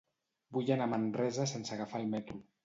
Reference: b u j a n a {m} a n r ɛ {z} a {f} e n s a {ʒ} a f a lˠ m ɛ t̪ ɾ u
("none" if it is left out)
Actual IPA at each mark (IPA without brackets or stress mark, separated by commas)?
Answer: m, z, s, ɣ